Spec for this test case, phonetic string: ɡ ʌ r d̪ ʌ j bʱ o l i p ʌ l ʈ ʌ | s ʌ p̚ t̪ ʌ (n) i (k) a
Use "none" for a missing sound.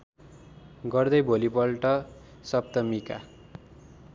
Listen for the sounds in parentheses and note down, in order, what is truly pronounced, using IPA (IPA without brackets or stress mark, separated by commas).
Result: m, k